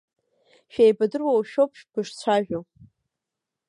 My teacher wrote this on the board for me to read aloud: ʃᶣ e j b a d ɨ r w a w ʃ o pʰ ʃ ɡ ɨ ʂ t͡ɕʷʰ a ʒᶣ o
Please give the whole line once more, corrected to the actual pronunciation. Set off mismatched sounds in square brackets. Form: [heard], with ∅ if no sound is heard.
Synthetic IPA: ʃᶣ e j b a d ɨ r w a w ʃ o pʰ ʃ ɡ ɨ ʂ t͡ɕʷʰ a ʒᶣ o